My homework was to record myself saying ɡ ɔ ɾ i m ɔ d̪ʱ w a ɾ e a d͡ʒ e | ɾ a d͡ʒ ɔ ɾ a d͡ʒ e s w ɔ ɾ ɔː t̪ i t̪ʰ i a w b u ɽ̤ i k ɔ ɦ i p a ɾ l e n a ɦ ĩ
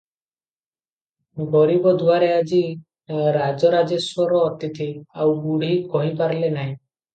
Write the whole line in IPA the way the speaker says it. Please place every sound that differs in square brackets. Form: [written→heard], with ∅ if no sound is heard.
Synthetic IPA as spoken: ɡ ɔ ɾ i [m→b] ɔ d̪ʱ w a ɾ e a d͡ʒ [e→i] | ɾ a d͡ʒ ɔ ɾ a d͡ʒ e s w ɔ ɾ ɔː t̪ i t̪ʰ i a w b u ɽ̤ i k ɔ ɦ i p a ɾ l e n a ɦ ĩ